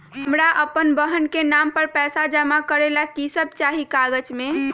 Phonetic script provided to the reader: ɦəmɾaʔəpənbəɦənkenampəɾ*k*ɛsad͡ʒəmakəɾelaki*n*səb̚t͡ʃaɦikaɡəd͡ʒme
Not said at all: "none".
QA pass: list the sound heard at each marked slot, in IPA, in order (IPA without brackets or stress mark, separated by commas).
p, none